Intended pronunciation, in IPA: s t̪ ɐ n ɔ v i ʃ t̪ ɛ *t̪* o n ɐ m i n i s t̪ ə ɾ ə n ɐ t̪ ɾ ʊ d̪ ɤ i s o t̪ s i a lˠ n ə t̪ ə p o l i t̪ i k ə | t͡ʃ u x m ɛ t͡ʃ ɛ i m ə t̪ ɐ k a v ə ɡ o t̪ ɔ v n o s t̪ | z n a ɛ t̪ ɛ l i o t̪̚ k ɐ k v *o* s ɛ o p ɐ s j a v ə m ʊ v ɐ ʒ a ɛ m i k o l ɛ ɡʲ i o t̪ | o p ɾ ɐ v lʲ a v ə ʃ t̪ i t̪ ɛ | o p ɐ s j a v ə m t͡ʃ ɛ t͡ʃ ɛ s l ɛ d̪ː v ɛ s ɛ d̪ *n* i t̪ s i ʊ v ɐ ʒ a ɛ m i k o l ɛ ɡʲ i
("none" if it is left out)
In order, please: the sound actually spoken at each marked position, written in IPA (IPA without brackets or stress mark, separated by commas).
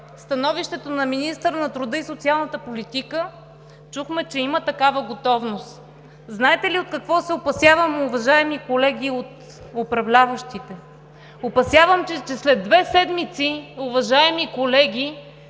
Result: t̪, ɔ, m